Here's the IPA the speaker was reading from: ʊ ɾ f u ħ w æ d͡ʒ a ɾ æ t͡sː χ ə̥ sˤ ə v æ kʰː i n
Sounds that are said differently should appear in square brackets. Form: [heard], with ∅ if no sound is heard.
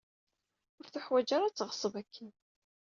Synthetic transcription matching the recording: ʊ ɾ [θ] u ħ w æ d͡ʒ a ɾ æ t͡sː [ʁ] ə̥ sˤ ə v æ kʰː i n